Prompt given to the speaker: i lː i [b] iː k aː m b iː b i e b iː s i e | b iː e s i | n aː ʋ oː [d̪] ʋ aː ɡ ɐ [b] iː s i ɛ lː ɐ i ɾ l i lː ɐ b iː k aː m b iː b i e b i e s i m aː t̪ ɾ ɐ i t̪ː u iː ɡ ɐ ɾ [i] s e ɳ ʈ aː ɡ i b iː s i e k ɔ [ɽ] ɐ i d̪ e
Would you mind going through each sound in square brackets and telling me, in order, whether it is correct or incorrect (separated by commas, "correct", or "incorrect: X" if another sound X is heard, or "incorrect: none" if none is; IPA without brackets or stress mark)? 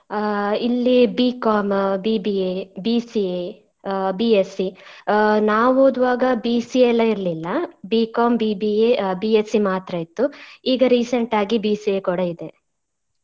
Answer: correct, correct, correct, incorrect: iː, correct